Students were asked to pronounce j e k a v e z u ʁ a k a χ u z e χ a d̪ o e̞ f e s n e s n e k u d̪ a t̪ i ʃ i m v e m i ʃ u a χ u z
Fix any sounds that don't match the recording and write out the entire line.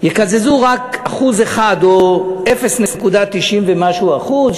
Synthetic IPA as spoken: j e k a z e z u ʁ a k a χ u z e χ a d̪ o e̞ f e s n e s n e k u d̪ a t̪ i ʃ i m v e m a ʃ u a χ u z